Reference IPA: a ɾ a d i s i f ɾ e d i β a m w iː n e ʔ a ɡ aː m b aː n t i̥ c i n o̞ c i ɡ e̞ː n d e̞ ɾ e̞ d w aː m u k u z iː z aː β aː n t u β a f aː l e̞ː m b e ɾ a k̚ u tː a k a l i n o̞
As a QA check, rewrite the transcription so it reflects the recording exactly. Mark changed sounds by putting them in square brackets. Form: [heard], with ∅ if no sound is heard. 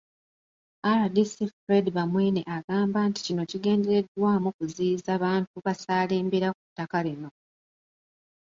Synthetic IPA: a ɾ a d i s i f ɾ e d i β a m w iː n e ʔ a ɡ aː m b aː n t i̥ c i n o̞ c i ɡ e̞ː n d e̞ ɾ e̞ d w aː m u k u z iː z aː β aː n t u β a [s] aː l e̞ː m b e ɾ a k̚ u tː a k a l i n o̞